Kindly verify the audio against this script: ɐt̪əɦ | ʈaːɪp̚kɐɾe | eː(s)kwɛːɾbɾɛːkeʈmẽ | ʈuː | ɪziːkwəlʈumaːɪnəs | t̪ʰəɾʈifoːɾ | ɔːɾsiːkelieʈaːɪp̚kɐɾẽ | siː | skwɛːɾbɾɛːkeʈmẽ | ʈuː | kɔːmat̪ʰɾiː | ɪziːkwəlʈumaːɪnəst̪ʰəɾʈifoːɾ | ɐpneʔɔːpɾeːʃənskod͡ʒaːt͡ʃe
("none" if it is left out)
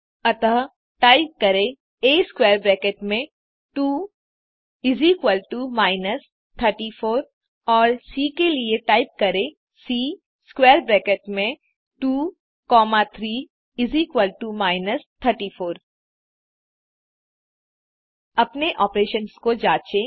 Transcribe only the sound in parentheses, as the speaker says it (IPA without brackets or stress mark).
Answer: s